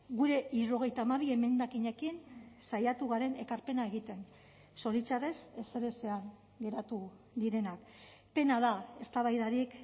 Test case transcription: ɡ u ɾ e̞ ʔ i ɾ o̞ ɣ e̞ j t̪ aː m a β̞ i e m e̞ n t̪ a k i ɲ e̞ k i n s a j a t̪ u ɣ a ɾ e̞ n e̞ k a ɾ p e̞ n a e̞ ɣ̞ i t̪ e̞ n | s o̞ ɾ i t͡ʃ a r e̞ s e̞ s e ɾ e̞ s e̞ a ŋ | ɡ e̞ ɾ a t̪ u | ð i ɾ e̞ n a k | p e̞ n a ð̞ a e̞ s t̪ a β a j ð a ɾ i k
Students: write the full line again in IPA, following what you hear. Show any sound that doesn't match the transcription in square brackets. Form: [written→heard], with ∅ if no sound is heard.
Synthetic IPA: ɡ u ɾ e̞ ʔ i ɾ o̞ ɣ e̞ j t̪ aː m a β̞ i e m e̞ n [t̪→d̪] a k i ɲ e̞ k i n s a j a t̪ u ɣ a ɾ e̞ n e̞ k a ɾ p e̞ n a e̞ ɣ̞ i t̪ e̞ n | s o̞ ɾ i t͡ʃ a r e̞ s e̞ s e ɾ e̞ s e̞ a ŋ | ɡ e̞ ɾ a t̪ u | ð i ɾ e̞ n a k | p e̞ n a ð̞ a e̞ s t̪ a β a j ð a ɾ i k

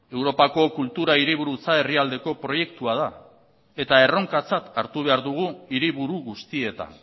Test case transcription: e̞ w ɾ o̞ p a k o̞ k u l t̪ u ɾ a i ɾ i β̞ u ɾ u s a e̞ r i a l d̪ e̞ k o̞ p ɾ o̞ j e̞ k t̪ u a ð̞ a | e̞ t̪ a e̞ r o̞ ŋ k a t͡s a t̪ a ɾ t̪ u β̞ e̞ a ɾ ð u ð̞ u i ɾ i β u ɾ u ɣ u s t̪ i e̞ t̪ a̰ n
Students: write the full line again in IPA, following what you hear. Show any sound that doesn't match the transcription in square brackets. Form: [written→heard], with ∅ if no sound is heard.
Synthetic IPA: e̞ w ɾ o̞ p a k o̞ k u l t̪ u ɾ a i ɾ i β̞ u ɾ u [s→t͡s] a e̞ r i a l d̪ e̞ k o̞ p ɾ o̞ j e̞ k t̪ u a ð̞ a | e̞ t̪ a e̞ r o̞ ŋ k a t͡s a t̪ a ɾ t̪ u β̞ e̞ a ɾ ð u [ð̞→ɣ̞] u i ɾ i β u ɾ u ɣ u s t̪ i e̞ t̪ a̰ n

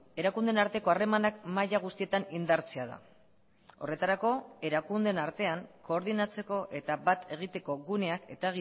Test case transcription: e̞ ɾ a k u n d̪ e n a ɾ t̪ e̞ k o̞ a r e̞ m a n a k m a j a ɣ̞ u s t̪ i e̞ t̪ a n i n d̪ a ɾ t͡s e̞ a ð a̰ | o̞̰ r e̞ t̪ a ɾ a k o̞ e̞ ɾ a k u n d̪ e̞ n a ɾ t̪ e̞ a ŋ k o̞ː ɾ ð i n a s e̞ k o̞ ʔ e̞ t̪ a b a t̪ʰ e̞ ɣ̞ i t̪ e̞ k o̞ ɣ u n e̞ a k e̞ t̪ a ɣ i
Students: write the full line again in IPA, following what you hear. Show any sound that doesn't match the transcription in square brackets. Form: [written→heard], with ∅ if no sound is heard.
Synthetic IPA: e̞ ɾ a k u n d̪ e n a ɾ t̪ e̞ k o̞ a r e̞ m a n a k m a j a ɣ̞ u s t̪ i e̞ t̪ a n i n d̪ a ɾ t͡s e̞ a ð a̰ | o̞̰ r e̞ t̪ a ɾ a k o̞ e̞ ɾ a k u n d̪ e̞ n a ɾ t̪ e̞ a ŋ k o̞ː ɾ ð i n a [s→t͡s] e̞ k o̞ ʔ e̞ t̪ a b a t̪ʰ e̞ ɣ̞ i t̪ e̞ k o̞ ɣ u n e̞ a k e̞ t̪ a ɣ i

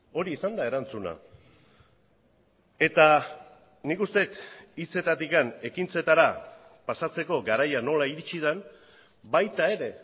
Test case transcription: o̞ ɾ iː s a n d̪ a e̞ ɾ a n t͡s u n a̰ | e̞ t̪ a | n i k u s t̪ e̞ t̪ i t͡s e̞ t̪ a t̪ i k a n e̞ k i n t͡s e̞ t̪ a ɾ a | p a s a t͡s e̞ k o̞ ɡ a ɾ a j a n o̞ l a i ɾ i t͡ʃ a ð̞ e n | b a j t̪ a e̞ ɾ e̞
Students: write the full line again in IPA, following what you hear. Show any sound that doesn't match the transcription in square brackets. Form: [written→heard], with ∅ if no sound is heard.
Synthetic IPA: o̞ ɾ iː s a n d̪ a e̞ ɾ a n t͡s u n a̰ | e̞ t̪ a | n i k u s t̪ e̞ t̪ i t͡s e̞ t̪ a t̪ i k a n e̞ k i n t͡s e̞ t̪ a ɾ a | p a s a t͡s e̞ k o̞ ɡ a ɾ a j a n o̞ l a i ɾ i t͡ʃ [a→i] ð̞ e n | b a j t̪ a e̞ ɾ e̞

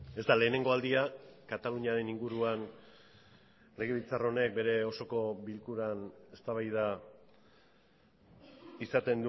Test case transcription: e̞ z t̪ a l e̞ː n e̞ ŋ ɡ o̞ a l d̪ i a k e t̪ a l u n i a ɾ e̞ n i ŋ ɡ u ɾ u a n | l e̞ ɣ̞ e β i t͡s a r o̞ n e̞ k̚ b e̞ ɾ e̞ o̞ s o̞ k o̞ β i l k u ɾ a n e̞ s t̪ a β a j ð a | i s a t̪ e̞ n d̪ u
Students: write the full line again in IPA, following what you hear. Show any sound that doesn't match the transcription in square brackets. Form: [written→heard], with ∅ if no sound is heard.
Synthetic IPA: e̞ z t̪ a l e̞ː n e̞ ŋ ɡ o̞ a l d̪ i a k [e→a] t̪ a l u [n→ɲ] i a ɾ e̞ n i ŋ ɡ u ɾ u a n | l e̞ ɣ̞ e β i t͡s a r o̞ n e̞ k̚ b e̞ ɾ e̞ o̞ s o̞ k o̞ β i l k u ɾ a n e̞ s t̪ a β a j ð a | i s a t̪ e̞ n d̪ u

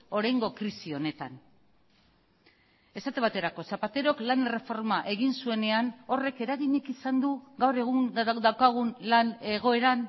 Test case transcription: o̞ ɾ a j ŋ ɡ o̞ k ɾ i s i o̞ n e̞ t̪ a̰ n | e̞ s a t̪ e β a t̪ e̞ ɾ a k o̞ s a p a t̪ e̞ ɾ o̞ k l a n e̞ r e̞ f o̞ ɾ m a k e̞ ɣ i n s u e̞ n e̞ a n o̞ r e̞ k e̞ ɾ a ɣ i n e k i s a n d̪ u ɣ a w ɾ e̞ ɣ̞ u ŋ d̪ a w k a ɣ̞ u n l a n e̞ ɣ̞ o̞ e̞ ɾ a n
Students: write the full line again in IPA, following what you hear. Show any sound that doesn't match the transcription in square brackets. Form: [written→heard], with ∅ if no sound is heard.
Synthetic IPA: o̞ ɾ a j ŋ ɡ o̞ k ɾ i s i o̞ n e̞ t̪ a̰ n | e̞ s a t̪ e β a t̪ e̞ ɾ a k o̞ s a p a t̪ e̞ ɾ o̞ k l a n e̞ r e̞ f o̞ ɾ m a [k→ʔ] e̞ ɣ i n s u e̞ n e̞ a n o̞ r e̞ k e̞ ɾ a ɣ i [n→ɲ] e k i s a n d̪ u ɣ a w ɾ e̞ ɣ̞ u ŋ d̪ a w k a ɣ̞ u n l a n e̞ ɣ̞ o̞ e̞ ɾ a n

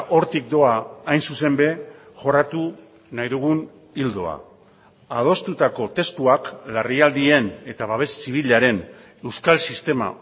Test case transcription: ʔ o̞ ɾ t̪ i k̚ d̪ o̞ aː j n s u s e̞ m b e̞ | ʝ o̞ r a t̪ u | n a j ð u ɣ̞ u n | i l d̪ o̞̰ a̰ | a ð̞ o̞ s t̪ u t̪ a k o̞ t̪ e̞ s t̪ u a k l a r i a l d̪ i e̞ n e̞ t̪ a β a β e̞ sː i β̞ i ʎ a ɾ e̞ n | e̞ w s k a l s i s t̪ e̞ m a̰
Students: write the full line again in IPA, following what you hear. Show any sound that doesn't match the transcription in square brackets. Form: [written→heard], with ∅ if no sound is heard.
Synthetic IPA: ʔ o̞ ɾ t̪ i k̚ d̪ o̞ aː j n s u s e̞ m b e̞ | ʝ o̞ r a t̪ u | n a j ð u ɣ̞ u n | i l d̪ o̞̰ a̰ | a ð̞ o̞ s t̪ u t̪ a k o̞ t̪ e̞ s t̪ u a k l a r i a l d̪ i e̞ n e̞ t̪ a β a β e̞ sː i β̞ i ʎ a ɾ e̞ n | e̞ w s k a l s i s t̪ e̞ m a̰

